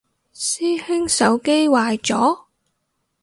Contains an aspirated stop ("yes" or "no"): no